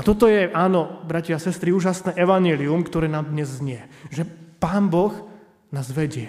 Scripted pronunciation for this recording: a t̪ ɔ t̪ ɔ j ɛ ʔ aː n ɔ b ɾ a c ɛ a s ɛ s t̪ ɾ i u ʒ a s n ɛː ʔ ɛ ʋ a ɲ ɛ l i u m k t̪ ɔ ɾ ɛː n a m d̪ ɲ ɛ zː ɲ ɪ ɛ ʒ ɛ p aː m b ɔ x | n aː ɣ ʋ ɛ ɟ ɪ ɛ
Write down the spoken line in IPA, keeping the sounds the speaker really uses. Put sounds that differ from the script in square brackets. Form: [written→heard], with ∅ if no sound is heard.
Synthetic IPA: a t̪ ɔ t̪ ɔ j ɛ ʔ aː n ɔ b ɾ a c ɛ a s ɛ s t̪ ɾ i [u→uː] ʒ a s n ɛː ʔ ɛ ʋ a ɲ ɛ l i u m k t̪ ɔ ɾ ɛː n a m d̪ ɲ ɛ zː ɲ ɪ ɛ ʒ ɛ p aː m b ɔ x | n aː [ɣ→z] ʋ ɛ ɟ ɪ ɛ